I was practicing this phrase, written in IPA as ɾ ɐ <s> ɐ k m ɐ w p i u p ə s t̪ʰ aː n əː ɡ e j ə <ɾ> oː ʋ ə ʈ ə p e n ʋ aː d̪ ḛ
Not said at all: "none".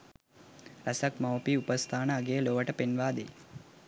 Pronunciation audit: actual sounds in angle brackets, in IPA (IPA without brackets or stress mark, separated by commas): s, l